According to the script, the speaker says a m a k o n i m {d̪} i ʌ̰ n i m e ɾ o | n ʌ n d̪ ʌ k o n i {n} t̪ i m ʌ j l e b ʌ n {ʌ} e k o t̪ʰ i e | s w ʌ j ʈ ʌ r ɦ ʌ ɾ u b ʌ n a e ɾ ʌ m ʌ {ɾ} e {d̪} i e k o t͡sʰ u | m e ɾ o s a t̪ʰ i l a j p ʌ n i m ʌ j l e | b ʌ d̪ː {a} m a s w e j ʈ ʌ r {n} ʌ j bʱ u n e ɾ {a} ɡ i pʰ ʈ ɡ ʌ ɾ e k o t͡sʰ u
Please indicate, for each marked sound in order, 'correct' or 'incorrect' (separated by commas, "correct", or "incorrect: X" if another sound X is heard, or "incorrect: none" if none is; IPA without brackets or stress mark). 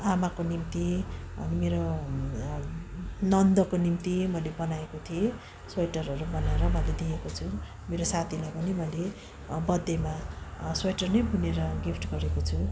incorrect: t̪, incorrect: m, incorrect: a, incorrect: l, correct, incorrect: e, correct, incorrect: ʌ